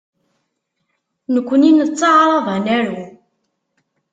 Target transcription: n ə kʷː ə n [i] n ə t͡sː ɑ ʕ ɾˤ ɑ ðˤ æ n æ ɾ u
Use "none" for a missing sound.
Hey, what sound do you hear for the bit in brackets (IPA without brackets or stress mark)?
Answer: i